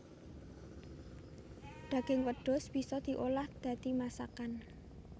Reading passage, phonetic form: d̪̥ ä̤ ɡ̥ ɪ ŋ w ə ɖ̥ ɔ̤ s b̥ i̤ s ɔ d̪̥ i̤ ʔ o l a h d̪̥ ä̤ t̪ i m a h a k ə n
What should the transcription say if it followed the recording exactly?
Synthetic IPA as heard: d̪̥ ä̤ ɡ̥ ɪ ŋ w ə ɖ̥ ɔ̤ s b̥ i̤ s ɔ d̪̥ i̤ ʔ o l a h d̪̥ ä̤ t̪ i m a s a k a n